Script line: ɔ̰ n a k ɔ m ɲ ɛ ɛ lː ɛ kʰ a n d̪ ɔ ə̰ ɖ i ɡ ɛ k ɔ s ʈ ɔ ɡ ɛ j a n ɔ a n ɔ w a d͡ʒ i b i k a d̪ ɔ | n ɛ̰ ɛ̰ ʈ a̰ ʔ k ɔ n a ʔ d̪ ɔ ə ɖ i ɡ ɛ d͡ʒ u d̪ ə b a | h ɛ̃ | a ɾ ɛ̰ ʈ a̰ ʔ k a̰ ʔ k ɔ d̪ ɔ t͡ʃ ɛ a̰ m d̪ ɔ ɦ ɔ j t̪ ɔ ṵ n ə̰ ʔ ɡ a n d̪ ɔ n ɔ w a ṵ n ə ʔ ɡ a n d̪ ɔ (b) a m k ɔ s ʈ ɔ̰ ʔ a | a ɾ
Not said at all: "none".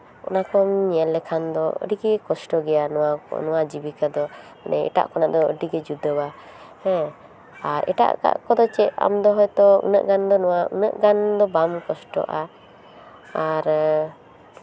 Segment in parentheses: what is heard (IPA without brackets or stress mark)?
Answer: b